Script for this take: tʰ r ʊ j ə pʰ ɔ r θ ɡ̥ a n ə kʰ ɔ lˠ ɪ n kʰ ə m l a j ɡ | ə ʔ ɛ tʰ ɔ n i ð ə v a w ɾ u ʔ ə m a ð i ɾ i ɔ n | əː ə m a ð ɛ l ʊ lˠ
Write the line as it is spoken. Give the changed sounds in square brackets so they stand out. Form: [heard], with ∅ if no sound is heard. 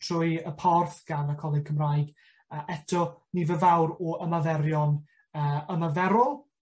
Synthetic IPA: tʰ r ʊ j ə pʰ ɔ r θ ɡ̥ a n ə kʰ ɔ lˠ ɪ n kʰ ə m [r] a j ɡ | ə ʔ ɛ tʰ ɔ n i [v] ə v a w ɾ [ɔ] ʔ ə m a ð [ɛ] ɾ [j] ɔ n | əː ə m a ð ɛ [ɾ] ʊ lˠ